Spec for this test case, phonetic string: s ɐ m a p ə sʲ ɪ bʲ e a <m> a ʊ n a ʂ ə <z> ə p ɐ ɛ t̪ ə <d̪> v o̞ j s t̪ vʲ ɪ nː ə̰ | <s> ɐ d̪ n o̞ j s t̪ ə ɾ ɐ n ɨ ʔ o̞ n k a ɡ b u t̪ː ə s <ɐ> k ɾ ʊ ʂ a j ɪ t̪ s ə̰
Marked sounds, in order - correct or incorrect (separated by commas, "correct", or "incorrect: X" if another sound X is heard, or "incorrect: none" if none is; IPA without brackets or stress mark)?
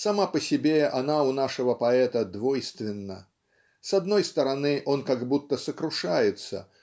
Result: incorrect: n, incorrect: v, correct, correct, incorrect: ə